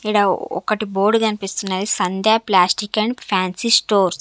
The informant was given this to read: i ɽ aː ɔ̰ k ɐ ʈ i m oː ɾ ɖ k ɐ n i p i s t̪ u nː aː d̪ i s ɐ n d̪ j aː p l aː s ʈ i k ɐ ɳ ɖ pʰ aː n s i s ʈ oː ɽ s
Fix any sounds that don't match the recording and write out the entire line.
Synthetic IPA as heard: i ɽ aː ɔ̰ k ɐ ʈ i b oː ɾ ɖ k ɐ n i p i s t̪ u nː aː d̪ i s ɐ n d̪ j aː p l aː s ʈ i k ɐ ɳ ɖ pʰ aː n s i s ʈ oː ɾ s